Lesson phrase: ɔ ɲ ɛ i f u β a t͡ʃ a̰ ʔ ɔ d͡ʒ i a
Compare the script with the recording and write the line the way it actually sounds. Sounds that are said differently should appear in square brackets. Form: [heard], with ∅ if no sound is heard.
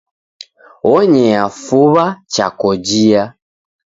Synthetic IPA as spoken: ɔ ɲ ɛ [a] f u β a t͡ʃ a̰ [k] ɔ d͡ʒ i a